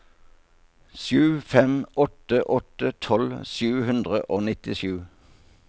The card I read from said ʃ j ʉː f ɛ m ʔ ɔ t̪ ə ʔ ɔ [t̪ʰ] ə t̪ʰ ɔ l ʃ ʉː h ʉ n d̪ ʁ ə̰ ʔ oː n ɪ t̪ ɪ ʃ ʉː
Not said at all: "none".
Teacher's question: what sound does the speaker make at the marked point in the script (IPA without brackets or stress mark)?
t̪